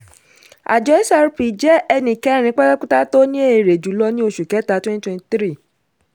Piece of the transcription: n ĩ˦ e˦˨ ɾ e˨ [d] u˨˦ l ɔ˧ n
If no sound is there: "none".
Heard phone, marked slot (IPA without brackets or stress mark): d͡ʒ